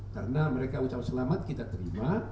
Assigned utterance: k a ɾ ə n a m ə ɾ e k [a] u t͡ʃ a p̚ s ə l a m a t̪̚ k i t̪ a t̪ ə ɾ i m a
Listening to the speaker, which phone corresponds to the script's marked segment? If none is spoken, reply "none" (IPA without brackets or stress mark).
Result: a